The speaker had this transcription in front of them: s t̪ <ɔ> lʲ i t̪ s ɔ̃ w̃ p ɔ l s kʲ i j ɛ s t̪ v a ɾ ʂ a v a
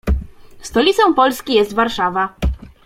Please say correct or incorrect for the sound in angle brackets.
correct